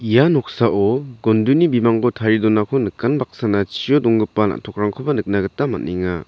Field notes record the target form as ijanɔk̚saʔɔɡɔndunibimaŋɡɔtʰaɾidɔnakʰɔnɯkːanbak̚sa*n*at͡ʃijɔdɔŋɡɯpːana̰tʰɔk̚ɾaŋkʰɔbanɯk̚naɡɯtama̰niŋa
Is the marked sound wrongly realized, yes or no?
no